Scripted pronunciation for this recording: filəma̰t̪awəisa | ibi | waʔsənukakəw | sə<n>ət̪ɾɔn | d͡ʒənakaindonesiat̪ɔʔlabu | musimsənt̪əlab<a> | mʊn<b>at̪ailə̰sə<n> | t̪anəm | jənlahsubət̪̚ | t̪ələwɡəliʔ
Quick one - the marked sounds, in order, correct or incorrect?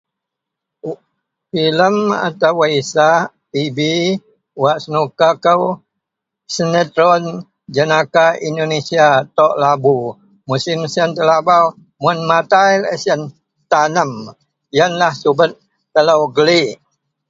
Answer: correct, correct, incorrect: m, correct

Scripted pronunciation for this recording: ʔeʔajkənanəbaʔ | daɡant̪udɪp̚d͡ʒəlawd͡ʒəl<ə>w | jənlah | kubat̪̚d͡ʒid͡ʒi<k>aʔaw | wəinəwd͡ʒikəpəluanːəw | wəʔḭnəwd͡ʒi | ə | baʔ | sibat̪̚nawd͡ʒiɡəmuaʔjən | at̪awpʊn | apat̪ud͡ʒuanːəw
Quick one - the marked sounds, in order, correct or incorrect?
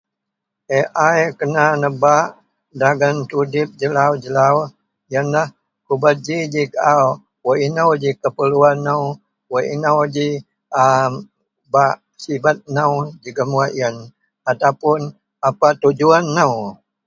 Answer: incorrect: a, correct

